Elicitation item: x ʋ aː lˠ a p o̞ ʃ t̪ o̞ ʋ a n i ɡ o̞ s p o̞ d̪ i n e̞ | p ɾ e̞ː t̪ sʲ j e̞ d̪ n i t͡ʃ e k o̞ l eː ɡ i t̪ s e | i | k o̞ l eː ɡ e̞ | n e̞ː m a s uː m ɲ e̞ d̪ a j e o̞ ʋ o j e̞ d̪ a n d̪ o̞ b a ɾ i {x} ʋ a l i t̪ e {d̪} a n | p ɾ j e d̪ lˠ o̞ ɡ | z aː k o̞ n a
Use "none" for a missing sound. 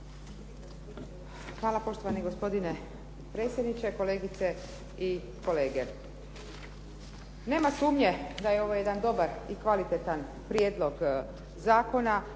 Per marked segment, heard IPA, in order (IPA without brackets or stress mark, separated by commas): k, t̪